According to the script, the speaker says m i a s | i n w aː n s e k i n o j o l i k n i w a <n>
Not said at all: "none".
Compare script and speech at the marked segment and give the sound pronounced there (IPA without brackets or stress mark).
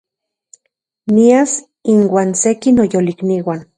n